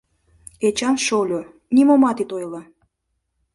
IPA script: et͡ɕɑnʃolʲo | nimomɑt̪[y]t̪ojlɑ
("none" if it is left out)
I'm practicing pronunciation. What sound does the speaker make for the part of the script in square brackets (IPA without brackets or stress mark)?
i